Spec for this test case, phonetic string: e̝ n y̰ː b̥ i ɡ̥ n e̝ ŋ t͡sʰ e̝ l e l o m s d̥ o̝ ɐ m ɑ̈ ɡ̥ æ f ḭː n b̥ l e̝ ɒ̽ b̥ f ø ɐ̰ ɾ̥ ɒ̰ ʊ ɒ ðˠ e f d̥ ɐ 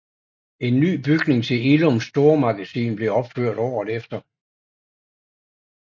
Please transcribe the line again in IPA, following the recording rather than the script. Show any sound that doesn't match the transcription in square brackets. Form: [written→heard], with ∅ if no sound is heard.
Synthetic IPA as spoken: e̝ [n→nː] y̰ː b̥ [i→y] ɡ̥ n e̝ ŋ t͡sʰ e̝ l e l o m s d̥ o̝ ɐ m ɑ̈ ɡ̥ æ [f→s] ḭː n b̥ l e̝ ɒ̽ b̥ f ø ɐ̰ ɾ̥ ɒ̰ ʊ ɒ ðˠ e f d̥ ɐ